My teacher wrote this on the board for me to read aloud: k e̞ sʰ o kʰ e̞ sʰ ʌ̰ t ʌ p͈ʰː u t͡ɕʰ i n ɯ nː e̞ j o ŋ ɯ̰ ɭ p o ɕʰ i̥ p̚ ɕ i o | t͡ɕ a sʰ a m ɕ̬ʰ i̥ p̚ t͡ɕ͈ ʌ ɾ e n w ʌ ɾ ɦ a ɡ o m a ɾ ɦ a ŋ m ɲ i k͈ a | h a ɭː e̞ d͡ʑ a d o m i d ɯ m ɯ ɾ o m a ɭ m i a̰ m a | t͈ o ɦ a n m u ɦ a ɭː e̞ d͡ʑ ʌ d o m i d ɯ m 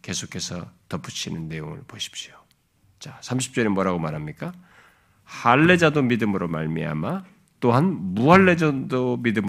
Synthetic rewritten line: k e̞ sʰ o kʰ e̞ sʰ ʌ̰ t ʌ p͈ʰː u t͡ɕʰ i n ɯ nː e̞ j o ŋ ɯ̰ ɭ p o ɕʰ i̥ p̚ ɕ i o | t͡ɕ a sʰ a m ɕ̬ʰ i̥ p̚ t͡ɕ͈ ʌ ɾ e m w ʌ ɾ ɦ a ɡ o m a ɾ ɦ a m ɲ i k͈ a | h a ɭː e̞ d͡ʑ a d o m i d ɯ m ɯ ɾ o m a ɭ m i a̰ m a | t͈ o ɦ a n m u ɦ a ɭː e̞ d͡ʑ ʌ d o m i d ɯ m